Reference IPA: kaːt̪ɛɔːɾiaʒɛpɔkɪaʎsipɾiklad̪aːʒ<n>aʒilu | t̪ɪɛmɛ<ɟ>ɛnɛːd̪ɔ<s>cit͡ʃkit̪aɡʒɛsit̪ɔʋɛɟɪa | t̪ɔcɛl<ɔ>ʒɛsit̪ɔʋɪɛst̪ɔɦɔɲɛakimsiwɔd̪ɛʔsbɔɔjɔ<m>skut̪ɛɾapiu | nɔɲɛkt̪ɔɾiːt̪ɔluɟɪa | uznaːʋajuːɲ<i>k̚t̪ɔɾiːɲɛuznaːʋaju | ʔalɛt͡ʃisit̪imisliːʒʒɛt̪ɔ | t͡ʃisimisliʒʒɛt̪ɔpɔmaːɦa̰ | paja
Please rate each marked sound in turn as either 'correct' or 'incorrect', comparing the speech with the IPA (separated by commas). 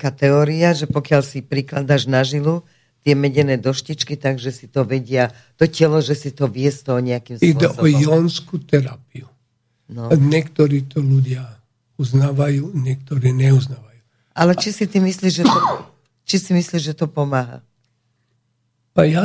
correct, correct, incorrect, correct, incorrect, incorrect